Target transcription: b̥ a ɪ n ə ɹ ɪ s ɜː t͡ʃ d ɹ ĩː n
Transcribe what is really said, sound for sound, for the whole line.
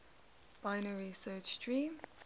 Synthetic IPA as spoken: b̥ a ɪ n ə ɹ i s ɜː t͡ʃ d ɹ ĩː m

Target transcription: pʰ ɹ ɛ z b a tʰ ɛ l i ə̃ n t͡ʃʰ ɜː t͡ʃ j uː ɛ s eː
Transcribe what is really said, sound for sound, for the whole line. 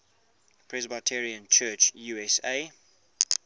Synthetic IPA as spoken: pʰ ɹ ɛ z b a tʰ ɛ ɹ i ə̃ n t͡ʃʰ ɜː t͡ʃ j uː ɛ s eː

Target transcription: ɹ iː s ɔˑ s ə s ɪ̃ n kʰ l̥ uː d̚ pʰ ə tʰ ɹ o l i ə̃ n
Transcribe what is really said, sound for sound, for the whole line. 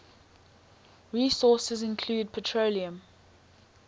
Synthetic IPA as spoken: ɹ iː s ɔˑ s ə z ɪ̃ n kʰ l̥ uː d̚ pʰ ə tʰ ɹ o l i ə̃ m

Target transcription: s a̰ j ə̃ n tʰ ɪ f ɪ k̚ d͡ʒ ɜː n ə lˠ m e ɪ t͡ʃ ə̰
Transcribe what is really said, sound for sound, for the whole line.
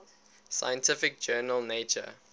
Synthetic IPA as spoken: s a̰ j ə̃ n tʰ ɪ f ɪ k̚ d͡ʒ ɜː n ə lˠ n e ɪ t͡ʃ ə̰

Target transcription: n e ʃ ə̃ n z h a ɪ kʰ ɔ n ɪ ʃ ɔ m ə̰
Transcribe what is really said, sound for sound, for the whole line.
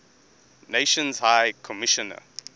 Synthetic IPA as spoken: n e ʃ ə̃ n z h a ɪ kʰ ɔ m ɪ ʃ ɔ n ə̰

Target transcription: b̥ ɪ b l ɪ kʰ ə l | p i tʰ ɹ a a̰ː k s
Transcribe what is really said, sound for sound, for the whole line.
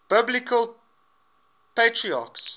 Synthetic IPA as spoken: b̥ ɪ b l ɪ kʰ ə l | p e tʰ ɹ i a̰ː k s

